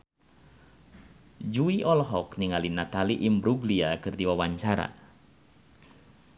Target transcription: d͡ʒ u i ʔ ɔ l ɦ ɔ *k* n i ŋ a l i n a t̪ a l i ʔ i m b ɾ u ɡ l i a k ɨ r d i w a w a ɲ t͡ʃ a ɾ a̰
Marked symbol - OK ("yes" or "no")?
yes